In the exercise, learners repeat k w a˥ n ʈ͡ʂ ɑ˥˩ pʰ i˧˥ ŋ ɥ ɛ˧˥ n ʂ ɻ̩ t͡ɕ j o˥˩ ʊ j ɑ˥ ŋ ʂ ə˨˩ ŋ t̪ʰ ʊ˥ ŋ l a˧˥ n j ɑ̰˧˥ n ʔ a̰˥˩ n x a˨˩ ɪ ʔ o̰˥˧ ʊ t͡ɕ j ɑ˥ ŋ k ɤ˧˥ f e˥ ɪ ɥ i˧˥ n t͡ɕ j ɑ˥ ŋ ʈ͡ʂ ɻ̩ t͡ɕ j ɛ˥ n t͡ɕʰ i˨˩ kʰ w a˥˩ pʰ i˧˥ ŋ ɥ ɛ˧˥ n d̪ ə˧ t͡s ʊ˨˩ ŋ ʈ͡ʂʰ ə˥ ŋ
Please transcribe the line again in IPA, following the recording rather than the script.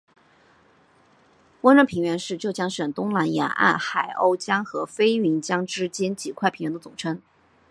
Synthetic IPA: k w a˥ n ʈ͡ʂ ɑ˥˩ pʰ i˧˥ ŋ ɥ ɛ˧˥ n ʂ ɻ̩ t͡ɕ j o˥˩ ʊ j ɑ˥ ŋ ʂ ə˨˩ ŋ t̪ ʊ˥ ŋ l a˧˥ n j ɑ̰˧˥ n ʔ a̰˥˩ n x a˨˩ ɪ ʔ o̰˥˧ ʊ t͡ɕ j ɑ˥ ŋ x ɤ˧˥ f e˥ ɪ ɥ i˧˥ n t͡ɕ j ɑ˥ ŋ ʈ͡ʂ ɻ̩ t͡ɕ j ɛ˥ n t͡ɕ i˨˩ kʰ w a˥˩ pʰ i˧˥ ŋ ɥ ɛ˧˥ n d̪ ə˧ t͡s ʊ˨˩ ŋ ʈ͡ʂʰ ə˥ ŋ